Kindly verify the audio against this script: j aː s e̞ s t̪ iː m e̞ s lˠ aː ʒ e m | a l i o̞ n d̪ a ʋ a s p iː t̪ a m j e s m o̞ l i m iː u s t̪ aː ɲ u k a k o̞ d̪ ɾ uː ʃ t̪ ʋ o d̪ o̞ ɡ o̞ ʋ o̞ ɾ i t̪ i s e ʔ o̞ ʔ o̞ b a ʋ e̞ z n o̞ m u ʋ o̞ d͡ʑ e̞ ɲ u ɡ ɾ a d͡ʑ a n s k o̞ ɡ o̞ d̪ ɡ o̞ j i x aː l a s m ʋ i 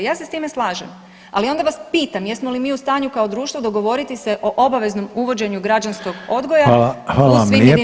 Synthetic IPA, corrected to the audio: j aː s e̞ s t̪ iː m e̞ s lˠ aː ʒ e m | a l i o̞ n d̪ a ʋ a s p iː t̪ a m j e s m o̞ l i m iː u s t̪ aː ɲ u k a o̞ d̪ ɾ uː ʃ t̪ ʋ o d̪ o̞ ɡ o̞ ʋ o̞ ɾ i t̪ i s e ʔ o̞ ʔ o̞ b a ʋ e̞ z n o̞ m u ʋ o̞ d͡ʑ e̞ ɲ u ɡ ɾ a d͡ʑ a n s k o̞ ɡ o̞ d̪ ɡ o̞ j a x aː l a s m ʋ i